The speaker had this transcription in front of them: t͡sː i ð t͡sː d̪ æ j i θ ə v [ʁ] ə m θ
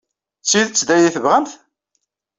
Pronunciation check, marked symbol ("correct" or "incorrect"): correct